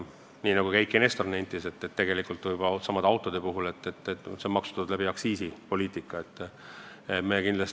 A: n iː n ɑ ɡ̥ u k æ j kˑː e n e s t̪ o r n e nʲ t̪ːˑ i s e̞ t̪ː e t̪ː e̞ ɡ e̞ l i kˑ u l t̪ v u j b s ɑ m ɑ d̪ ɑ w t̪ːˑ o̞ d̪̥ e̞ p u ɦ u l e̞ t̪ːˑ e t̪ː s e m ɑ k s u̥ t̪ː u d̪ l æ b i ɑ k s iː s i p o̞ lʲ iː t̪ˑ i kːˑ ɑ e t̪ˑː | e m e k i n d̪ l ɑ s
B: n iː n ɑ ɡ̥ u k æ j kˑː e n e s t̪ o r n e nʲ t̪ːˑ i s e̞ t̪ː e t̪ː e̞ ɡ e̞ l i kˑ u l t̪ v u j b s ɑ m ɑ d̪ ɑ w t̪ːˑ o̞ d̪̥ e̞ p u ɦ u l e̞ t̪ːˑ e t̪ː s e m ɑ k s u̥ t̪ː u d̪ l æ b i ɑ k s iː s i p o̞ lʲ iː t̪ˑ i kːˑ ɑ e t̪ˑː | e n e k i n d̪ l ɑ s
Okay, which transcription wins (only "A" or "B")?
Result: A